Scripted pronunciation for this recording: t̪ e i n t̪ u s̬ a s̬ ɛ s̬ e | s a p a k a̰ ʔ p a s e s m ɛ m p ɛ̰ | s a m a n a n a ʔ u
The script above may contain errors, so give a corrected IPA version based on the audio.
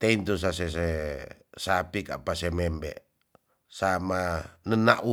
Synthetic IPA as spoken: t̪ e i n t̪ u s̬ a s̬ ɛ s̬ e | s a p i k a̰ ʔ p a s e m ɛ m b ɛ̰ | s a m a n ə n a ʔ u